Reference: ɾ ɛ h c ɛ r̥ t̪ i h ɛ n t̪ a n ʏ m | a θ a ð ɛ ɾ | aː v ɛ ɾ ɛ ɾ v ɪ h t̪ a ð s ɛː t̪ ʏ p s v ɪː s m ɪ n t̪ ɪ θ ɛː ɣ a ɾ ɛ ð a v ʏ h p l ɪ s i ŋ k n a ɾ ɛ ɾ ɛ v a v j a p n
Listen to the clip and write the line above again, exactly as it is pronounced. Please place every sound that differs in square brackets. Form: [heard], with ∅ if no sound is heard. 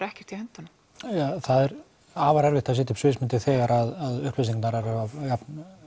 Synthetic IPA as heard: ɾ ɛ h c ɛ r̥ t̪ i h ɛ n t̪ a n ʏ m | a θ a ð ɛ ɾ | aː v [a] ɾ ɛ ɾ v ɪ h t̪ a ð s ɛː t̪ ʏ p s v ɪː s m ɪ n t̪ ɪ θ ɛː ɣ a ɾ [a] ð a [ð] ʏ h p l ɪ s i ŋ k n a ɾ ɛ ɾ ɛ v a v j a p n